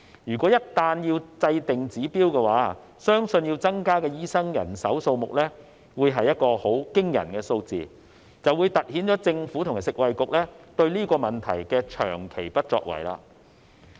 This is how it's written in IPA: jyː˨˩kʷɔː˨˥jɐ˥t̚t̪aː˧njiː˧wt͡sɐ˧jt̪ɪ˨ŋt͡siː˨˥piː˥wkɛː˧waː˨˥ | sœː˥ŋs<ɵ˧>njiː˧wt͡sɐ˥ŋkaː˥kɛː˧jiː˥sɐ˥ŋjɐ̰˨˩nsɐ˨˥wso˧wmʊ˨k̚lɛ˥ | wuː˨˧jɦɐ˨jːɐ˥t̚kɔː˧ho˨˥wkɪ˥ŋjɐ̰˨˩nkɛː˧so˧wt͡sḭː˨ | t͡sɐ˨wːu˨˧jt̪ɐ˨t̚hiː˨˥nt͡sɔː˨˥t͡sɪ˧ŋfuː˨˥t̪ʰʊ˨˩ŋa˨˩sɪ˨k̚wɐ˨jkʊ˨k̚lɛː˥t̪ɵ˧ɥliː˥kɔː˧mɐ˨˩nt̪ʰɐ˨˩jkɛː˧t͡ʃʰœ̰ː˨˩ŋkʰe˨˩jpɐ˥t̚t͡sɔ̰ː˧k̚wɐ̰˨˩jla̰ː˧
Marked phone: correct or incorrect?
correct